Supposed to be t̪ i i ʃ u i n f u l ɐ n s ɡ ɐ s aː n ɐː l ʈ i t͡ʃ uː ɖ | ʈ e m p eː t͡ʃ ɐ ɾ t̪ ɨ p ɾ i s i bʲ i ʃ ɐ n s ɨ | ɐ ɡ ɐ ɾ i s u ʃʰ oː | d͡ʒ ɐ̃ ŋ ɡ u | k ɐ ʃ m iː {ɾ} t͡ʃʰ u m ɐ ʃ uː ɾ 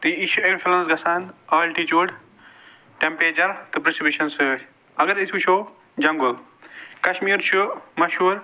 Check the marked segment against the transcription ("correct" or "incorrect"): correct